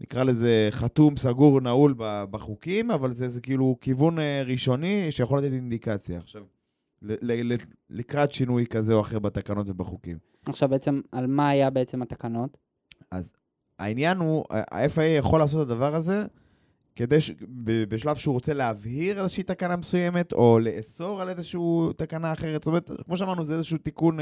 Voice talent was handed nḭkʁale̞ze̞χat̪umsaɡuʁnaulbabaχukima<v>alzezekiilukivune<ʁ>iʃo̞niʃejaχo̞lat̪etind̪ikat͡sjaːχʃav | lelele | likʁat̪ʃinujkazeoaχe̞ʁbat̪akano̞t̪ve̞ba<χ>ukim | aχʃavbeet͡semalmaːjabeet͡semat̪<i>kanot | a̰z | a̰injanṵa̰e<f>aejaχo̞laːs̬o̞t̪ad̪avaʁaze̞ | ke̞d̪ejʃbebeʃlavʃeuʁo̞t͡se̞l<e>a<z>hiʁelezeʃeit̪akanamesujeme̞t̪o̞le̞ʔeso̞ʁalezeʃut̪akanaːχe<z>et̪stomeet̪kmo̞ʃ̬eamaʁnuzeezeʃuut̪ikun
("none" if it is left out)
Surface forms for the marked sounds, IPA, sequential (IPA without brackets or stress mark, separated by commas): v, ʁ, χ, a, f, e, v, ʁ